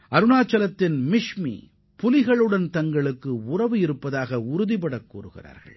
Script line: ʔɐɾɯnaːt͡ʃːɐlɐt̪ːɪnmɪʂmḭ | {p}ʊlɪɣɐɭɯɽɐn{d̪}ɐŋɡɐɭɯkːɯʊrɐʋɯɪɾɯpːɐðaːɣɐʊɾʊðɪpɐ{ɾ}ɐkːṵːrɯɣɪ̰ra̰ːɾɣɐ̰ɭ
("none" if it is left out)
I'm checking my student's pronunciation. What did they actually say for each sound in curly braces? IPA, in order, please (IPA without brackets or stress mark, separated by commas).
p, t̪, ɽ